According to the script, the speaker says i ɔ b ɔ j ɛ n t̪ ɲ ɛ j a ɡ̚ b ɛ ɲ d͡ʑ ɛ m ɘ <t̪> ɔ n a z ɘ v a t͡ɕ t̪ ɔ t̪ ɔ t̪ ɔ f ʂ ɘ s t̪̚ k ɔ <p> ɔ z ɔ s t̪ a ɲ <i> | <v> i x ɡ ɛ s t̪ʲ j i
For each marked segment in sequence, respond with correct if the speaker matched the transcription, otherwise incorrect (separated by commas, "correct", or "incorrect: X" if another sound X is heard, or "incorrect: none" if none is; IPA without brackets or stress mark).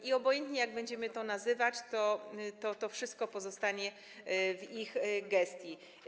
correct, correct, incorrect: ɛ, correct